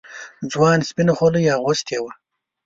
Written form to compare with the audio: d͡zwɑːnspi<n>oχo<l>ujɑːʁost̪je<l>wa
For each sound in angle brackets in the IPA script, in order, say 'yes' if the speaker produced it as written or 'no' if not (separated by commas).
yes, yes, no